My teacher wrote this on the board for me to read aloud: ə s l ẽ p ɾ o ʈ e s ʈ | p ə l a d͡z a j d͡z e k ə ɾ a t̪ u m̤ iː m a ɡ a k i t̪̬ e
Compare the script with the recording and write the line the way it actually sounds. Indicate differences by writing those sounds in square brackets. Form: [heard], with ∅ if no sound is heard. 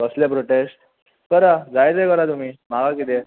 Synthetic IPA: ə s l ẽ p ɾ o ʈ e s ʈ | [k] ə [ɾ] a d͡z a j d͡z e k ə ɾ a t̪ u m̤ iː m a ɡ a k i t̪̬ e